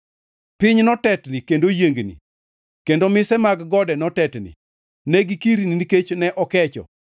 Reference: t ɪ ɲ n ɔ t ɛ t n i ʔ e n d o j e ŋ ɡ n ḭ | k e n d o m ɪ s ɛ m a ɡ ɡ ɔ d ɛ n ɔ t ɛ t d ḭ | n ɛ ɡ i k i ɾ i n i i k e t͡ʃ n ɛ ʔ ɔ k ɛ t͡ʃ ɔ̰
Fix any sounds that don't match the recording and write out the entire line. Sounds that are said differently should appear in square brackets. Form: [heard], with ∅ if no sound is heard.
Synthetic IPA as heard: [p] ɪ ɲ n ɔ t ɛ t n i [k] e n d o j e ŋ ɡ n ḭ | k e n d o m ɪ s ɛ m a ɡ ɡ ɔ d ɛ n ɔ t ɛ t [n] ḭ | n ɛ ɡ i k i ɾ i n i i k e t͡ʃ n ɛ ʔ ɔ k ɛ t͡ʃ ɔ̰